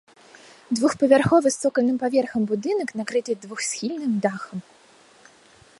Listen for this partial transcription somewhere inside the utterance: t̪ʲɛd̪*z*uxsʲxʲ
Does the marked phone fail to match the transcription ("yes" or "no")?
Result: yes